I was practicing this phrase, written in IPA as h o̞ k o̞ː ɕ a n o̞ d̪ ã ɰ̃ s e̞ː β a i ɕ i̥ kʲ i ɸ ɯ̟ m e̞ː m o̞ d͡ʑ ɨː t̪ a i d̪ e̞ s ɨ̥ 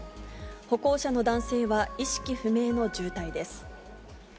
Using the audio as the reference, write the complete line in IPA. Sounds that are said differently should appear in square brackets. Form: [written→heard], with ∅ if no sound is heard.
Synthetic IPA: h o̞ k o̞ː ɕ a n o̞ d̪ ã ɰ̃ s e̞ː β a i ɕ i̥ kʲ i ɸ ɯ̟ m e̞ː [m→n] o̞ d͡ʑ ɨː t̪ a i d̪ e̞ s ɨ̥